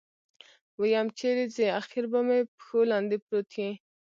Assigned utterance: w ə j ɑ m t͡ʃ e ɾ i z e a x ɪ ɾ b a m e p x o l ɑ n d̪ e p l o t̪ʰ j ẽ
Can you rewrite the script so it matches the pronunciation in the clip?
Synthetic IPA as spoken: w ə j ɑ m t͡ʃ e ɾ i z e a x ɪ ɾ b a m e p x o l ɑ n d̪ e p ɾ o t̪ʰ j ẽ

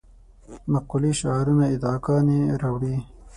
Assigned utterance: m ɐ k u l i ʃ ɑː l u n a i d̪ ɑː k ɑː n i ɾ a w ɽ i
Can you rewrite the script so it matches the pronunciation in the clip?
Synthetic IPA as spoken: m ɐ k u l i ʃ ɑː ɾ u n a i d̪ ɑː k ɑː n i ɾ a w ɽ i

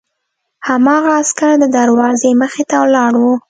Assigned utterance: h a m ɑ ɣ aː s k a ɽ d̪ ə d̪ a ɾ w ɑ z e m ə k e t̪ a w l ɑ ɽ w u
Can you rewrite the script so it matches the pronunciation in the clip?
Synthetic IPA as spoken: h a m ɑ ɣ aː s k a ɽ d̪ ə d̪ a ɾ w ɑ z e m ə x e t̪ a w l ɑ ɽ w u

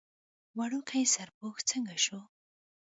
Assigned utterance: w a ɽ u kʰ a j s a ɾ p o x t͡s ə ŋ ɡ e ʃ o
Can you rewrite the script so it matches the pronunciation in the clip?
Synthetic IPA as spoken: w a ɽ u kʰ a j s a ɾ p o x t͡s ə ŋ ɡ a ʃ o

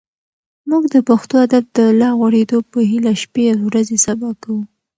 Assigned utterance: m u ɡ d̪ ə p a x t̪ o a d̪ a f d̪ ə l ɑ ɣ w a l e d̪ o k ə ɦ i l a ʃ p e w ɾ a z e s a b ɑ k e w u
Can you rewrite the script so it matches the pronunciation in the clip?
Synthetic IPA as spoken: m u ɡ d̪ ə p a x t̪ o a d̪ a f d̪ ə l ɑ ɣ w a ɽ e d̪ o p ə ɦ i l a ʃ p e w ɾ a z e s a b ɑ k a w u

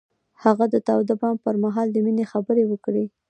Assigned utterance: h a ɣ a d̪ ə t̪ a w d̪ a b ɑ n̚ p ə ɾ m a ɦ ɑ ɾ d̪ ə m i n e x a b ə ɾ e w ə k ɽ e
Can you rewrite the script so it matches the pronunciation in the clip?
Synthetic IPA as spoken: h a ɣ a d̪ ə t̪ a w d̪ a b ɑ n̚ p ə ɾ m a ɦ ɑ l d̪ ə m i n e x a b ə ɾ e w ə k ɽ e

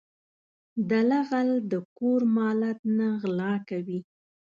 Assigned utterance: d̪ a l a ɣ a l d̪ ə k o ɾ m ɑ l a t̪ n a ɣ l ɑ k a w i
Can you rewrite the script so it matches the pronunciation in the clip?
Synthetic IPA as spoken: d̪ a l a ɣ a l d̪ ə k o ɾ m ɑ l a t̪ n a ɣ l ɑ k a w i

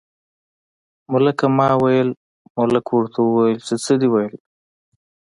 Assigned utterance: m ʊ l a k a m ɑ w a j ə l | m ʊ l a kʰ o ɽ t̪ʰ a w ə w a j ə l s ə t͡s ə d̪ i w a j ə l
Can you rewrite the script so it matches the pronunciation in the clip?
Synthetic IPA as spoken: m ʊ l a k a m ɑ w a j ə l | m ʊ l a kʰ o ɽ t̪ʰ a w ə w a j ə l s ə t͡s ə d̪ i w a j ə l

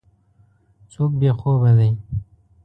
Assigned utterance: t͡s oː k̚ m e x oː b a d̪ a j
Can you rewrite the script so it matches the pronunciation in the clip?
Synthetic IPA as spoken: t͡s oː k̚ b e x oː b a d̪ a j

